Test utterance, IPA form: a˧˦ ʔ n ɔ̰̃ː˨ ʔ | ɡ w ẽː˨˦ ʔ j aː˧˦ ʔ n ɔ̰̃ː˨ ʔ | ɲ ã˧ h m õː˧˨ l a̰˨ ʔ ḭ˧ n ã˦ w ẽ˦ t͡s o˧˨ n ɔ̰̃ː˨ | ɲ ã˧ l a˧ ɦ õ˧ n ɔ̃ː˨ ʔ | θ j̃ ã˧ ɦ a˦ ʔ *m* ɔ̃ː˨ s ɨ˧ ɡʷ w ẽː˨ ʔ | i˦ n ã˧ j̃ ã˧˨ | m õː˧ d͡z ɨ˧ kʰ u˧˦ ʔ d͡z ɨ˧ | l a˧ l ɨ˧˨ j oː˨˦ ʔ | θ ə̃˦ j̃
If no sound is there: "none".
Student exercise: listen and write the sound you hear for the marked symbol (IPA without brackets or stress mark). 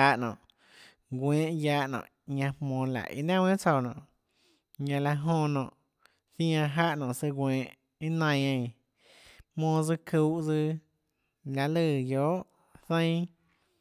n